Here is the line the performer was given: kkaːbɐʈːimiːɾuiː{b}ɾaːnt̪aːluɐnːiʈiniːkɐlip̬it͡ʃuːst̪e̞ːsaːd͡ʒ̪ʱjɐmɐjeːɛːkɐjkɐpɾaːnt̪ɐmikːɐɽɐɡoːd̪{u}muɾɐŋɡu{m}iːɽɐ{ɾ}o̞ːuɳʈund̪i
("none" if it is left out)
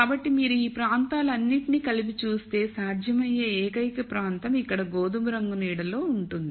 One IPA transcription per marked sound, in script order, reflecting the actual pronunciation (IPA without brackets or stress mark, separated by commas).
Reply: p, u, n, l